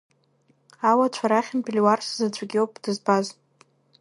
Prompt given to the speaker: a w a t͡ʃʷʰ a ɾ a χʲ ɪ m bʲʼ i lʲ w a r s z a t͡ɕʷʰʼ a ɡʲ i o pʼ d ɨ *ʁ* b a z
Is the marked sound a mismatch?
yes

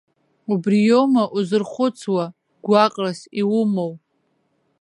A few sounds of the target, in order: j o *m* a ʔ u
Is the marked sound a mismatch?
no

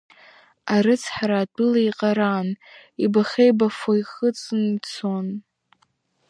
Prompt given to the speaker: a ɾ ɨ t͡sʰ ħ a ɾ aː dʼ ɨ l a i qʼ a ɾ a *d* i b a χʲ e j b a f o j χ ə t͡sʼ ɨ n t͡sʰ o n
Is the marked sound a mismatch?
yes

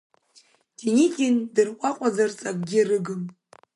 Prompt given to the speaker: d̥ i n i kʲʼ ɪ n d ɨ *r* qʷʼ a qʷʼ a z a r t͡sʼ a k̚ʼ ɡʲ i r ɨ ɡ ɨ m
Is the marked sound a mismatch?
no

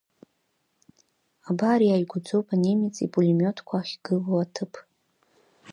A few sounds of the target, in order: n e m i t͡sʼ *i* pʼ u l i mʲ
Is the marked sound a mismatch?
no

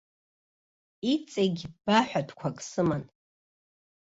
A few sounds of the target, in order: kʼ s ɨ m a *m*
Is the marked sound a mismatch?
yes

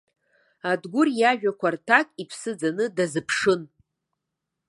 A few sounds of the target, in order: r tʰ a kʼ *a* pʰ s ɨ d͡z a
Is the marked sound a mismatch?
yes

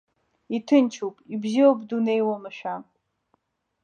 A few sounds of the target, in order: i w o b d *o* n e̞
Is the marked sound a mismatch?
yes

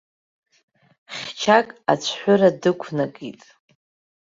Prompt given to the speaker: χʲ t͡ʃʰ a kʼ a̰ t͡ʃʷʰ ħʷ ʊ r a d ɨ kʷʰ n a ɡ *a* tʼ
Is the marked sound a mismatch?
yes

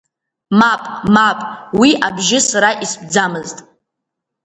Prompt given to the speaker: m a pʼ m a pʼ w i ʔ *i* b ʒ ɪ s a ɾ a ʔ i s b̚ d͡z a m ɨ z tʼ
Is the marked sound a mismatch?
yes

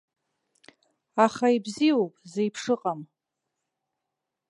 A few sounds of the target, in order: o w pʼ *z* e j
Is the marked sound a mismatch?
no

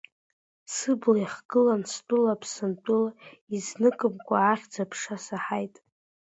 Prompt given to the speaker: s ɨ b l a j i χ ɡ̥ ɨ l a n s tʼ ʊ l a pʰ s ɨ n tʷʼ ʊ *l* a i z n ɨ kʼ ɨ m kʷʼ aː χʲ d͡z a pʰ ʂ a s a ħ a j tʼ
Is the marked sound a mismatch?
no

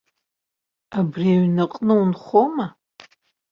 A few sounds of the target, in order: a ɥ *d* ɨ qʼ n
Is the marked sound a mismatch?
yes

